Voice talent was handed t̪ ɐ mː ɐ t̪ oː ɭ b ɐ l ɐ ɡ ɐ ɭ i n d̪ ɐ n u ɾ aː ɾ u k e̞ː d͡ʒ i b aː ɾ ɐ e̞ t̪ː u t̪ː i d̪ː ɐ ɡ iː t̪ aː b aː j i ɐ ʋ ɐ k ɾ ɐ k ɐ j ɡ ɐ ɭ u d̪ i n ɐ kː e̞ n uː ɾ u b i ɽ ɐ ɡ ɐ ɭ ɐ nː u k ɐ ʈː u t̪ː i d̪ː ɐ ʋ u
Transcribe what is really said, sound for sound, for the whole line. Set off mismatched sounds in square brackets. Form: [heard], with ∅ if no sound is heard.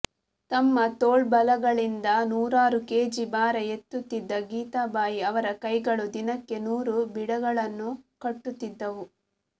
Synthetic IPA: t̪ ɐ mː ɐ t̪ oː ɭ b ɐ l ɐ ɡ ɐ ɭ i n d̪ ɐ n [uː] ɾ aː ɾ u k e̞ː d͡ʒ i b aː ɾ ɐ e̞ t̪ː u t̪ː i d̪ː ɐ ɡ iː t̪ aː b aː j i ɐ ʋ ɐ [∅] ɾ ɐ k ɐ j ɡ ɐ ɭ u d̪ i n ɐ kː e̞ n uː ɾ u b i ɽ ɐ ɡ ɐ ɭ ɐ nː u k ɐ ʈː u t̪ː i d̪ː ɐ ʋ u